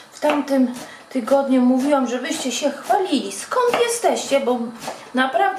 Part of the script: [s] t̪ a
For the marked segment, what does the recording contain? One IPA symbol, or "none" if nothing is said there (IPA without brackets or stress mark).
f